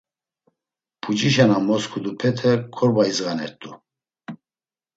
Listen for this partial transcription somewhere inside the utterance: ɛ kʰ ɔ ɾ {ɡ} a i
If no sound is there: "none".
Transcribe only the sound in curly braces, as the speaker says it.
b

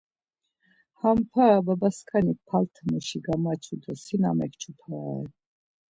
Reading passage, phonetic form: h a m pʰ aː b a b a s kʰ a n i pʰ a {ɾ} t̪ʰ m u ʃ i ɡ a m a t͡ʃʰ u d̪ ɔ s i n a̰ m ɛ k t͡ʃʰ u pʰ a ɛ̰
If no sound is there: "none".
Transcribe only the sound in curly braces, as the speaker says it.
l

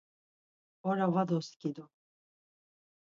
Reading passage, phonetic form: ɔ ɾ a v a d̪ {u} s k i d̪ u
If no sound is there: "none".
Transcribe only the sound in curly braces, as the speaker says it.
ɔ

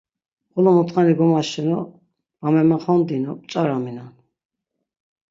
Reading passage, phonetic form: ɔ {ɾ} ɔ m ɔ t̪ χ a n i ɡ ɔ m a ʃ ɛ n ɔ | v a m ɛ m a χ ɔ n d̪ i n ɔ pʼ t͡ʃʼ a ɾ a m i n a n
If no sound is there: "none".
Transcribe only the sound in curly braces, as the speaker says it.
l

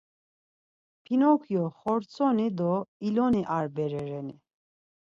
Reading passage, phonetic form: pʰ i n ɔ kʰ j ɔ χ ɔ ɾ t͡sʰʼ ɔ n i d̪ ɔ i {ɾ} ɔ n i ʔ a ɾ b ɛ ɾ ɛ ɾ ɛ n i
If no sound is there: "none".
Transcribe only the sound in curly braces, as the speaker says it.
l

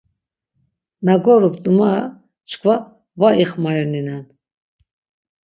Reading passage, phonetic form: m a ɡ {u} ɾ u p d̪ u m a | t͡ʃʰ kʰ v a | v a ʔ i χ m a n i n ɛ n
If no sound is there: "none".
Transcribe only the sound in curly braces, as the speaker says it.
ɔ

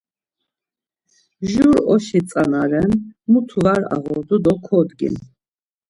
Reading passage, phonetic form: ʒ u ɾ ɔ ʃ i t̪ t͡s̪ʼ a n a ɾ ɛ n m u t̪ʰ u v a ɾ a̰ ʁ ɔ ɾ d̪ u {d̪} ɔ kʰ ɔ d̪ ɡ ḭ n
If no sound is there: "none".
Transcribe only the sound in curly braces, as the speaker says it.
d̪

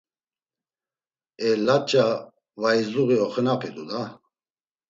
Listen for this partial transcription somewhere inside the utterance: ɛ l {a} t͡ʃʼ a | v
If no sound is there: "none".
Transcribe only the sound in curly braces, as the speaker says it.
a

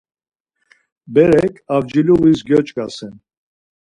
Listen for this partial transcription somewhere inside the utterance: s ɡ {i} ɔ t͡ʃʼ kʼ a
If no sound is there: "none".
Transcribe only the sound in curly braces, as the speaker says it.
j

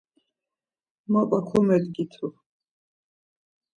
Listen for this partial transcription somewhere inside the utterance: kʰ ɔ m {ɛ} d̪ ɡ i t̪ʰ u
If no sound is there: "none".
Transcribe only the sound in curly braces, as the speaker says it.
ɛ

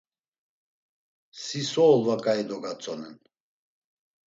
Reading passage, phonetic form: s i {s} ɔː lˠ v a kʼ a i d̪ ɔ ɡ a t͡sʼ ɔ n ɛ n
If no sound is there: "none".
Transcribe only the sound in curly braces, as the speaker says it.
s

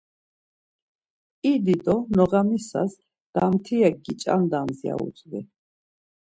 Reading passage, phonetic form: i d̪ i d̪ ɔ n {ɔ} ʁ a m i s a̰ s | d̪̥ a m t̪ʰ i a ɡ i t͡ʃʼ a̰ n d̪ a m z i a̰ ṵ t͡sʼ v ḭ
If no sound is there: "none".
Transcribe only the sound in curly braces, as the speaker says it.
ɔ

